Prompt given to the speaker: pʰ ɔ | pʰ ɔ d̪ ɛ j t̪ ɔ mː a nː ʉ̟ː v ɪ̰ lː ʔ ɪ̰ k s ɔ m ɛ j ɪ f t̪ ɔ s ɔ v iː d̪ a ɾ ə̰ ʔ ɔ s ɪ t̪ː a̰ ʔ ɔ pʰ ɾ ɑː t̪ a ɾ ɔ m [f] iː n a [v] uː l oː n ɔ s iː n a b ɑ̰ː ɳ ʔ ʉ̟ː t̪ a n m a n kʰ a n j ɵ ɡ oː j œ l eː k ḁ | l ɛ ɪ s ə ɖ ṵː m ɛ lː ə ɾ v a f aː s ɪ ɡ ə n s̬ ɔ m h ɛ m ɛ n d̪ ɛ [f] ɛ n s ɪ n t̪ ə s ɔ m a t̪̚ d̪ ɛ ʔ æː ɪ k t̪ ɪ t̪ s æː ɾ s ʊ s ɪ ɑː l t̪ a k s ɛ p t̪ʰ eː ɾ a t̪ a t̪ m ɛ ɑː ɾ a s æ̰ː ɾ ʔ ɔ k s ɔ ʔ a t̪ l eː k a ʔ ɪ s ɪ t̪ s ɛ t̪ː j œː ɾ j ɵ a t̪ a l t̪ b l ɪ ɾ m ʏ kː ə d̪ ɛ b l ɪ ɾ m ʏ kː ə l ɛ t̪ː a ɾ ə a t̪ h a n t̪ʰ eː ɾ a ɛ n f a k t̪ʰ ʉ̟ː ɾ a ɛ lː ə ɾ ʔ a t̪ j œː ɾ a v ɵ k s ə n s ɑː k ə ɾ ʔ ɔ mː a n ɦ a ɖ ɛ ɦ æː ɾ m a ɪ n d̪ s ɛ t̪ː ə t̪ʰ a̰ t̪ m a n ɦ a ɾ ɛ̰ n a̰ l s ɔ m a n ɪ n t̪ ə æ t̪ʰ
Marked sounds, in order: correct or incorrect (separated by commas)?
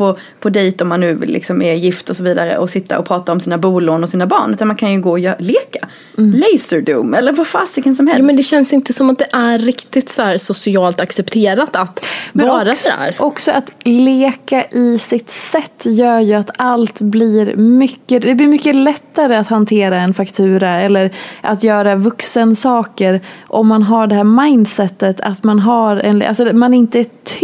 incorrect, incorrect, incorrect